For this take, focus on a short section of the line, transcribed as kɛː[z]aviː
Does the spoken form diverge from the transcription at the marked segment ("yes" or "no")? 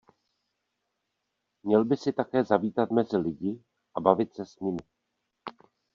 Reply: no